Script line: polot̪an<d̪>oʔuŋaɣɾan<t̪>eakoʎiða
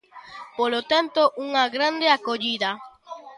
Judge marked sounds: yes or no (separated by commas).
no, no